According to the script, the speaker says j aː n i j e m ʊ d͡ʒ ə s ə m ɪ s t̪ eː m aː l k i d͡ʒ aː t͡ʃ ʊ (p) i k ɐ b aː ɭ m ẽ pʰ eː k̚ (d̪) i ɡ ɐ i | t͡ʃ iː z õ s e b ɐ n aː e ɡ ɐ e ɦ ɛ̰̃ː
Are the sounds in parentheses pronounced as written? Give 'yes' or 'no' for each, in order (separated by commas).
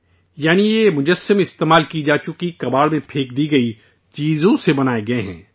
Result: no, yes